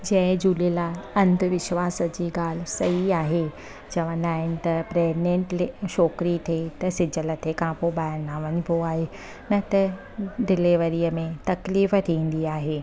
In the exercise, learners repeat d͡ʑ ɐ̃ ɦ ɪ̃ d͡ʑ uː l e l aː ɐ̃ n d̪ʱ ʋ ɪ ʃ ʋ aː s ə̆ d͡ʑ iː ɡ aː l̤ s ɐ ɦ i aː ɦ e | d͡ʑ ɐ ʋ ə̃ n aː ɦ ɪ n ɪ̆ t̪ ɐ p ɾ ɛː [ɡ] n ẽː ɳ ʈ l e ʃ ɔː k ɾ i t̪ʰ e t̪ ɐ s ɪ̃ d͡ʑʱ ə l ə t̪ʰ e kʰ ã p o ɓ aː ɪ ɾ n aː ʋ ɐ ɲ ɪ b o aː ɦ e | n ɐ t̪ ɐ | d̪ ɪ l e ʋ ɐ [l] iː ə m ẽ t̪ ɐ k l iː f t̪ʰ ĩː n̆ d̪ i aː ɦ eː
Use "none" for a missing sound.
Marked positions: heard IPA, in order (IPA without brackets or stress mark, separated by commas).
ɡ, ɾ